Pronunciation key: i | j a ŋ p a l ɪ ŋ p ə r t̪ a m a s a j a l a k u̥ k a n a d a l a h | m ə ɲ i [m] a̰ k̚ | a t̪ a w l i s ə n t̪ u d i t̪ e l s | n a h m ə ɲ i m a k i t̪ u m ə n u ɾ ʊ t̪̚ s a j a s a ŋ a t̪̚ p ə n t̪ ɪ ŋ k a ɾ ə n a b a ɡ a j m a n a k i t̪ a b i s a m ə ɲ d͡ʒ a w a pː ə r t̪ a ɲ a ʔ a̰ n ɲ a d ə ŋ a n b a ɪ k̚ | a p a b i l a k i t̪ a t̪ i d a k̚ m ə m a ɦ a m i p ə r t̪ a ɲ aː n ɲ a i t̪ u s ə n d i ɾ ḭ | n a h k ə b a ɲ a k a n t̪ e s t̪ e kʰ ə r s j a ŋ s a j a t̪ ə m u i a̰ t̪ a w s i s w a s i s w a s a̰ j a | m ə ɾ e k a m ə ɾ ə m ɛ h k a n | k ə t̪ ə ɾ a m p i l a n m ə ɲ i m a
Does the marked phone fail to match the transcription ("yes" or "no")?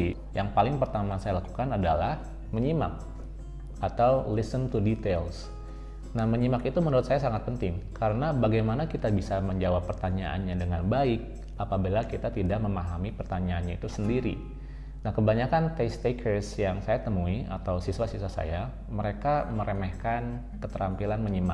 no